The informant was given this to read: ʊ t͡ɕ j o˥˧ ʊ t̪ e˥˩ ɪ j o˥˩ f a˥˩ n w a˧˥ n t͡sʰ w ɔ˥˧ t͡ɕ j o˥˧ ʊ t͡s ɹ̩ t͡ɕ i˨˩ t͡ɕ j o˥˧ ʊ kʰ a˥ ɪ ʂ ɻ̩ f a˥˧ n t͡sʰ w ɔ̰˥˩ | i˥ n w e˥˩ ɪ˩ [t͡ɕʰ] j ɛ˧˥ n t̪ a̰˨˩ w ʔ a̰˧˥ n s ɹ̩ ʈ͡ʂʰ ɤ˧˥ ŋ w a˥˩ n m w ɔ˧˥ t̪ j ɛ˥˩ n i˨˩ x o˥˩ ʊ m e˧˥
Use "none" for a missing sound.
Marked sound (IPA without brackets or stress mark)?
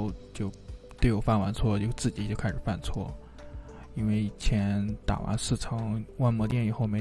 t͡ɕʰ